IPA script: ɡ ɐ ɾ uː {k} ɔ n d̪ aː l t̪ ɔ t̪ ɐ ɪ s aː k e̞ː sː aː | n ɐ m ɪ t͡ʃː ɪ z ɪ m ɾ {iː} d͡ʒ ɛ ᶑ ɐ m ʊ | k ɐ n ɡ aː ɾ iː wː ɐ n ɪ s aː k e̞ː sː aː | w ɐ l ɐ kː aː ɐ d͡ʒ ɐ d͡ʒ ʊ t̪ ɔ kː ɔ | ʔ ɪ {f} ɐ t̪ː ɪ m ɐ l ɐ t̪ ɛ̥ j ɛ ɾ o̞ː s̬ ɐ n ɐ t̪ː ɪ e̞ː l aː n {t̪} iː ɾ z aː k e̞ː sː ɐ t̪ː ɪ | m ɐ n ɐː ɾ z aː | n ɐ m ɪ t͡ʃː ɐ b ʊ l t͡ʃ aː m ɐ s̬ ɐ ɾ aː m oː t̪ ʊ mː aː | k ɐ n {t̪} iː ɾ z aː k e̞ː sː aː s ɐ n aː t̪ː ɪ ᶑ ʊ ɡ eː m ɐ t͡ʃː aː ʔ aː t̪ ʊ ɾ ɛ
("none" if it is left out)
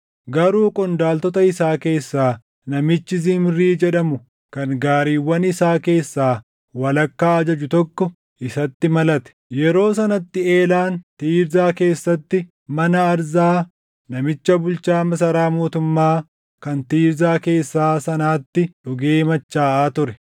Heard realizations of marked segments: kʼ, iː, s, t̪, t̪

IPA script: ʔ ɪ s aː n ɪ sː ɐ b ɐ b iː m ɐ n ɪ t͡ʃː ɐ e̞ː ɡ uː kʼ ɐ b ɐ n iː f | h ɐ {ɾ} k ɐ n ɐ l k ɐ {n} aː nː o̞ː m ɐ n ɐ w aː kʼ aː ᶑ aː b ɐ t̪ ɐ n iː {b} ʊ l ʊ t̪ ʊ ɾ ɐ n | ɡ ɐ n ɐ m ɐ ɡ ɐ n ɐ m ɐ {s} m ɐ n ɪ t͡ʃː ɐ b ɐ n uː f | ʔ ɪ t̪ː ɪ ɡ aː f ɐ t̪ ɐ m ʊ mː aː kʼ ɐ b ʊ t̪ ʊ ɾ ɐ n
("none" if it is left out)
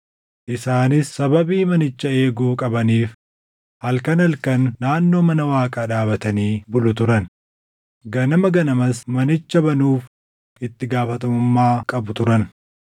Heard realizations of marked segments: l, nː, b, s

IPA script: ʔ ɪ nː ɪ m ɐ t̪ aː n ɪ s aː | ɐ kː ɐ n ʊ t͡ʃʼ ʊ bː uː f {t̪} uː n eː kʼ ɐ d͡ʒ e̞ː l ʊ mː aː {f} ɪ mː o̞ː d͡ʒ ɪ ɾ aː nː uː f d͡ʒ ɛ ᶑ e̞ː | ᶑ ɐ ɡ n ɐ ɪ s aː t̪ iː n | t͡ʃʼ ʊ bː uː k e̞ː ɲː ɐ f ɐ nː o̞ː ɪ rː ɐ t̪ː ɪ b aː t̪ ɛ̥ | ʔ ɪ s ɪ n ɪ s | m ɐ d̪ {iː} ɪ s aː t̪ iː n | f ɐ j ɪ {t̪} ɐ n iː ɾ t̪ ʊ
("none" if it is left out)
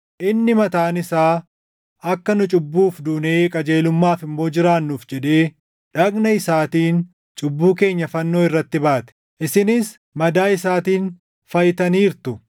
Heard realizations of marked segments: d̪, f, aː, t̪

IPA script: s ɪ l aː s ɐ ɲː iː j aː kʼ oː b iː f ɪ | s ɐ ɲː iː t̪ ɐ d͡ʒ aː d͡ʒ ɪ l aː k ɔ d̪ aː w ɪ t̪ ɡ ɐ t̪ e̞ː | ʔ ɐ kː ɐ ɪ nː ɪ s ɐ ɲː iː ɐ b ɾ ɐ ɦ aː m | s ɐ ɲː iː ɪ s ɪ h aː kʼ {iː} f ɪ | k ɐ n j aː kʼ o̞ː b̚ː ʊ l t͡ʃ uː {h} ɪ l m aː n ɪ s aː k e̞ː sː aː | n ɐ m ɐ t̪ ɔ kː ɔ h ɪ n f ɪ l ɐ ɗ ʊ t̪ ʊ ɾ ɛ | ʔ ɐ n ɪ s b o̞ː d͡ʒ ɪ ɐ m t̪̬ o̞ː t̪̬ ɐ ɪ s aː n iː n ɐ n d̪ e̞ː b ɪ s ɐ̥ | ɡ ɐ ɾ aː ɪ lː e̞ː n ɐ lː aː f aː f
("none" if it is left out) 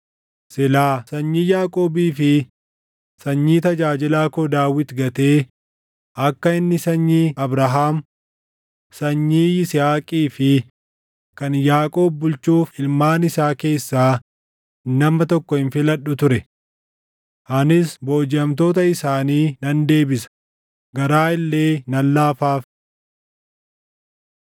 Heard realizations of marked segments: iː, f

